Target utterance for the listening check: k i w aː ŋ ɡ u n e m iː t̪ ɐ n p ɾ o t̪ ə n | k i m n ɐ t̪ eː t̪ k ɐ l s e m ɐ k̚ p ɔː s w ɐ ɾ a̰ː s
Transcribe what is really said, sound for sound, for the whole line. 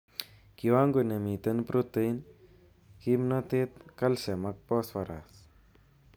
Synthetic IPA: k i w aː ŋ ɡ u n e m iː t̪ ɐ n p ɾ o t̪ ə n | k i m n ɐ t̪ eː t̪ k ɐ l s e m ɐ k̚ p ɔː s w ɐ ɾ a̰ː s